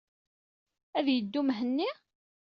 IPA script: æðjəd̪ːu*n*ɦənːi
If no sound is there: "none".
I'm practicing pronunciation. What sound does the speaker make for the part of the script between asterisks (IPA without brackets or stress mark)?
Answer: m